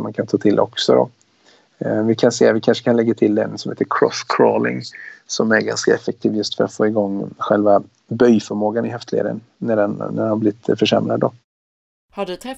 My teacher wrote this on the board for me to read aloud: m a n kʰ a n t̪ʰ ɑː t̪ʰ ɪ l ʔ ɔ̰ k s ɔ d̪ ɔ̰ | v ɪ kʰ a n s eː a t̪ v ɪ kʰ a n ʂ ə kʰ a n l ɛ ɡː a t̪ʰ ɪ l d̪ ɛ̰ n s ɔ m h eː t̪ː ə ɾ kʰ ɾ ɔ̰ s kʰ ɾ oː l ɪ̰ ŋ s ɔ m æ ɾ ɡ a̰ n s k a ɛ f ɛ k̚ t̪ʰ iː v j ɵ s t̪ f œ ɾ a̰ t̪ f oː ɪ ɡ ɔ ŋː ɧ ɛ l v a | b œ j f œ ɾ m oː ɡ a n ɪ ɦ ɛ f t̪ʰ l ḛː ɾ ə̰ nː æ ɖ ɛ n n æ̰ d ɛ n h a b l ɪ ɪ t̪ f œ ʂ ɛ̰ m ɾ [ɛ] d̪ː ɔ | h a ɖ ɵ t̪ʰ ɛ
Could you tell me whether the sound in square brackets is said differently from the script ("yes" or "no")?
yes